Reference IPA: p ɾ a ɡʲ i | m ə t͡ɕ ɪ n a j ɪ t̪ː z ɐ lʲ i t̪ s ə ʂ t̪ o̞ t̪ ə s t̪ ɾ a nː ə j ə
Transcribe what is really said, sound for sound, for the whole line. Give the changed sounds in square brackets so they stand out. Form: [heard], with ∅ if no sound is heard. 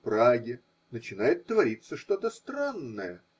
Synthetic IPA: p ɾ a ɡʲ [ɪ] | [n] ə t͡ɕ ɪ n a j ɪ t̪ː [v] ɐ [ɾʲ] i t̪ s ə ʂ t̪ o̞ t̪ ə s t̪ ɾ a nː ə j ə